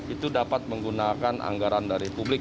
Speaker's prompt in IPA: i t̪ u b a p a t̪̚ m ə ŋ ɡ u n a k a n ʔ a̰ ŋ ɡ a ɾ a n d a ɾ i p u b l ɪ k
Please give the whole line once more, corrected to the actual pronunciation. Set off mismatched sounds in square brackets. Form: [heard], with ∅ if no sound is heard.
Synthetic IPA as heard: i t̪ u [d] a p a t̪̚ m ə ŋ ɡ u n a k a n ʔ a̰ ŋ ɡ a ɾ a n d a ɾ i p u b l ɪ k